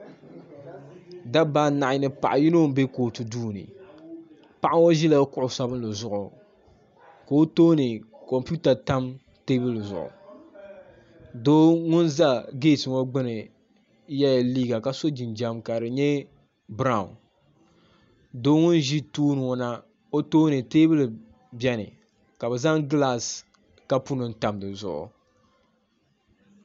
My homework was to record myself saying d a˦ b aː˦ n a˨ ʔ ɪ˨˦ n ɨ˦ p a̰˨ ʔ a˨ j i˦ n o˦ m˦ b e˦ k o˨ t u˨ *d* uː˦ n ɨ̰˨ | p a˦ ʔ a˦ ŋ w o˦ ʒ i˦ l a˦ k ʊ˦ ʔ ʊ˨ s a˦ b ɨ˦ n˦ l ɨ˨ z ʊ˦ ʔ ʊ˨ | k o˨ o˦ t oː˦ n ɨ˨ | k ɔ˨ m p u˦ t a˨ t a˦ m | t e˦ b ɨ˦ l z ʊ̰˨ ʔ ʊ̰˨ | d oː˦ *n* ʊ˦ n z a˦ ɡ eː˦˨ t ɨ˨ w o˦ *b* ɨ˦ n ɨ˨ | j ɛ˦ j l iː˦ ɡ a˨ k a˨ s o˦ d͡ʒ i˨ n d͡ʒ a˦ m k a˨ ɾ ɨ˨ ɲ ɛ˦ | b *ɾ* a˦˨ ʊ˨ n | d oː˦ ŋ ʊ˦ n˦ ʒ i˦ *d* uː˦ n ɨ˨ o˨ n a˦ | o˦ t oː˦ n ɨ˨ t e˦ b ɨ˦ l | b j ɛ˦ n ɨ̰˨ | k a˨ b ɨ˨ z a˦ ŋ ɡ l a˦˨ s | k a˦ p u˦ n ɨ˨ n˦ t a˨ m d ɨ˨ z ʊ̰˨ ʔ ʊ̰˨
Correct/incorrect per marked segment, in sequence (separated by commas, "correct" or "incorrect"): correct, incorrect, incorrect, correct, incorrect